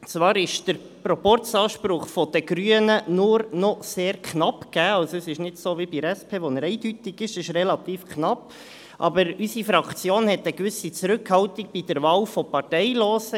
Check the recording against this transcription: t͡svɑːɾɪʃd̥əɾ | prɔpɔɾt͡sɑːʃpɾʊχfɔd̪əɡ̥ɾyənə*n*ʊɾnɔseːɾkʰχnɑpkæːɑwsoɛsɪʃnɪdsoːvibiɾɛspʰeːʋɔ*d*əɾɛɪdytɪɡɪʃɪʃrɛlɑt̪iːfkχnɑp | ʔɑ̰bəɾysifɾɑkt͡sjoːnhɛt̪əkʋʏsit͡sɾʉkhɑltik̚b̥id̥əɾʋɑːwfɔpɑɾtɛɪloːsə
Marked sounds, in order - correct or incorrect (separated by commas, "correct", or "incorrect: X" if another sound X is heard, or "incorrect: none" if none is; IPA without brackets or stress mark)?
correct, incorrect: n